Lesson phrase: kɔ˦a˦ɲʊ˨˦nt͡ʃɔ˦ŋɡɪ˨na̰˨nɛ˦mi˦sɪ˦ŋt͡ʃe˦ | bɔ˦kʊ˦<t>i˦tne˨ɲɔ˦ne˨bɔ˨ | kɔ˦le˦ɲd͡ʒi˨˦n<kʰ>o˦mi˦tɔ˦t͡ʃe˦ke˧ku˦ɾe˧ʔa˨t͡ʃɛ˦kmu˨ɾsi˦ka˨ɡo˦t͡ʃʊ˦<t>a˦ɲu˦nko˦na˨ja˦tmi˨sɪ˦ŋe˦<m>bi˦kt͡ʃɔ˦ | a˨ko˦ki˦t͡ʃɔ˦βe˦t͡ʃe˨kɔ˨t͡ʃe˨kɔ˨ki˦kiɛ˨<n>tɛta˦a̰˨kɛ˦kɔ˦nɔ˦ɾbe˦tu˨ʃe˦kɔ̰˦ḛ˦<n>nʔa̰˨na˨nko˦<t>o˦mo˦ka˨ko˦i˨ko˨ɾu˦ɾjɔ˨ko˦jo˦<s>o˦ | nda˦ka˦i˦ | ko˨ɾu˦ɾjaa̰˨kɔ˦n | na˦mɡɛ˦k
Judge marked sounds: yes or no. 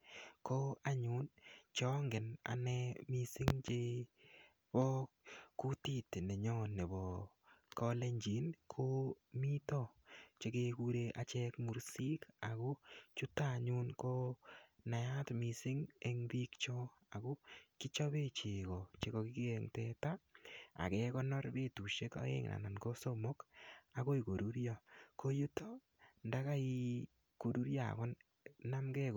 yes, yes, yes, no, no, no, no, no

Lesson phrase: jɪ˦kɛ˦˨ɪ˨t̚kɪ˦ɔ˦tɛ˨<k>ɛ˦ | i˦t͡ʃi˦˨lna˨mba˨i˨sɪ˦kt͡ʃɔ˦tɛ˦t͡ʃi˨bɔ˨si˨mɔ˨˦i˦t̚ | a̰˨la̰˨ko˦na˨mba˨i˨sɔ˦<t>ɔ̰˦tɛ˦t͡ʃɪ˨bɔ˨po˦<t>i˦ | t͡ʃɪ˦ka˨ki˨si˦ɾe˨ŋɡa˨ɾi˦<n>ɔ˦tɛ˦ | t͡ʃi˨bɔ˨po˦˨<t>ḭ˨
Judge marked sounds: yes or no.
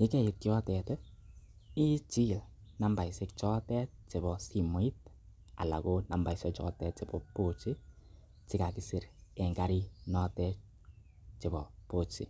no, no, no, yes, no

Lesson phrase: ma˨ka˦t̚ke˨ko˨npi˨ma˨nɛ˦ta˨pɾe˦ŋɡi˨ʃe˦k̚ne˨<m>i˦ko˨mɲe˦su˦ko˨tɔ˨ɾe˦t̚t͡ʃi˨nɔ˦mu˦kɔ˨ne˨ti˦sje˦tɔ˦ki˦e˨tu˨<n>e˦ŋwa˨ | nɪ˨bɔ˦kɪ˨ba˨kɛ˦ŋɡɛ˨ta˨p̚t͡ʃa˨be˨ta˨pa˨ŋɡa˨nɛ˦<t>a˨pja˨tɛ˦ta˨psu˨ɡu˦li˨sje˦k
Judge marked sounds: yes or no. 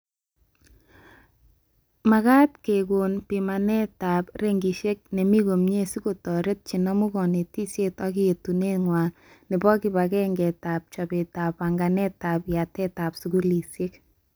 yes, yes, yes

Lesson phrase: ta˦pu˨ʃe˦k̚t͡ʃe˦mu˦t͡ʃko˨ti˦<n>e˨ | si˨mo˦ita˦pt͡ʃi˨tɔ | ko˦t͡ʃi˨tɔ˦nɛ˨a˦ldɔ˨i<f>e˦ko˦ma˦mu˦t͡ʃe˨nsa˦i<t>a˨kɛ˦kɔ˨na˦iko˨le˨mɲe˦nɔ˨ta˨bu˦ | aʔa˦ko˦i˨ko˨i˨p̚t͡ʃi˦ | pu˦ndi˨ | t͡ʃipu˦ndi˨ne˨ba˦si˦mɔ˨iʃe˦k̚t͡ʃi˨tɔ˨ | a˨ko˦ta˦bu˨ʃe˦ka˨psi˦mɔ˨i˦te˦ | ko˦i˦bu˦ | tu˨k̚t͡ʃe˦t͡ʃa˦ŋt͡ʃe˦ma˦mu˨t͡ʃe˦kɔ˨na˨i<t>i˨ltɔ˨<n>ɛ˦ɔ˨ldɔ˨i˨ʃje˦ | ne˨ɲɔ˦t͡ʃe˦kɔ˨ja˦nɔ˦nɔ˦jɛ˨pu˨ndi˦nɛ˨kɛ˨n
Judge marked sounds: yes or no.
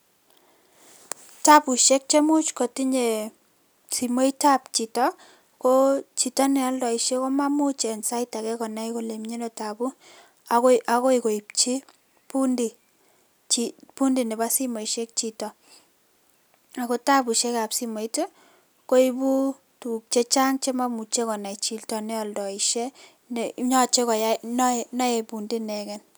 no, no, yes, no, yes

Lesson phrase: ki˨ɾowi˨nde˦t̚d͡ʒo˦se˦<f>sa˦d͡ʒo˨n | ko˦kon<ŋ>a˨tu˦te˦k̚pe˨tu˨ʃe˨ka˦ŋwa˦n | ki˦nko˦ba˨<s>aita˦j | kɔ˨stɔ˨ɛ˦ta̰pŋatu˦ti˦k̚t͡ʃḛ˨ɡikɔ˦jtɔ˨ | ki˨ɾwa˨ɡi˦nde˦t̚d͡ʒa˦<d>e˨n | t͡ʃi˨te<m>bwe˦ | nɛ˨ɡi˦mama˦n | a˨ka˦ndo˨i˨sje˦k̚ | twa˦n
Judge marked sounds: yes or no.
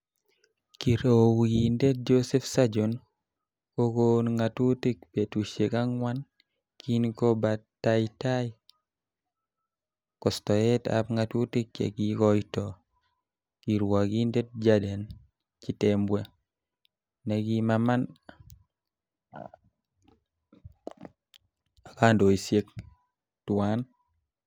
yes, yes, no, yes, yes

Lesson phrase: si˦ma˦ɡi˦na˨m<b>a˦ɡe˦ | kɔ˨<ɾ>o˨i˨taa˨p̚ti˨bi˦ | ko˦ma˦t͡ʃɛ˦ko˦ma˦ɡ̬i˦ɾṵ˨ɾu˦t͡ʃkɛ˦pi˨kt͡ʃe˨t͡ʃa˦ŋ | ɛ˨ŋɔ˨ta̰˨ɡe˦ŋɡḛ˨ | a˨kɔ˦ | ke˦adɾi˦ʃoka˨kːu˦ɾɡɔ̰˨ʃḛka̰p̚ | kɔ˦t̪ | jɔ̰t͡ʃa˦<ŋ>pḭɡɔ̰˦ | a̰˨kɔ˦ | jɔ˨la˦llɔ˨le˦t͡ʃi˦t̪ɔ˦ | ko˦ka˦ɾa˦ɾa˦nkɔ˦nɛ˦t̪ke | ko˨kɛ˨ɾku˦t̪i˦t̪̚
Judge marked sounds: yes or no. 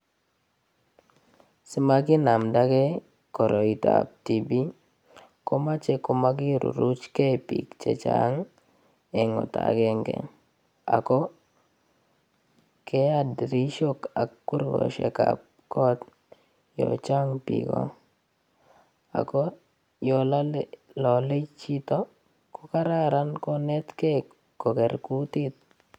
no, yes, yes

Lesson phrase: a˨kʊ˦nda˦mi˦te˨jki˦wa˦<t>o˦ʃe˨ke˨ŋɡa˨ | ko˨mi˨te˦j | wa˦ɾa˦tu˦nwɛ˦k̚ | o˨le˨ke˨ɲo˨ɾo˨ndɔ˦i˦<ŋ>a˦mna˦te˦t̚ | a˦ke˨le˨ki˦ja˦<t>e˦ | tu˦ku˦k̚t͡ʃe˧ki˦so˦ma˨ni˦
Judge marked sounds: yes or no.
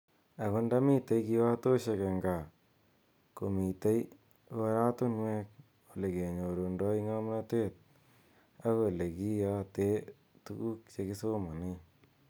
yes, yes, yes

